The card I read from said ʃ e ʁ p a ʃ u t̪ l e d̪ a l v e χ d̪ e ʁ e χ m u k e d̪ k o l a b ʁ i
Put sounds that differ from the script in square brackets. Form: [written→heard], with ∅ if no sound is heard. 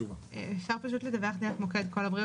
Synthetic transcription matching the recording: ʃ [e→a] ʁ p a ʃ u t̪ l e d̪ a [l→∅] v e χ d̪ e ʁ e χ m [u→o] k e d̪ k o l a b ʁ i